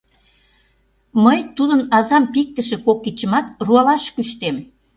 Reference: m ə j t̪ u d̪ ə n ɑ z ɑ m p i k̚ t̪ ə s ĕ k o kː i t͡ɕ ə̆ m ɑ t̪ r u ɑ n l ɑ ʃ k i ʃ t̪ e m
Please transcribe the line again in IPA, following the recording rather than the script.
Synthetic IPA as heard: m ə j t̪ u d̪ ə n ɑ z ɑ m p i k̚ t̪ ə ʃ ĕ k o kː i t͡ɕ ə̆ m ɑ t̪ r u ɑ l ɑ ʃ k y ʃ t̪ e m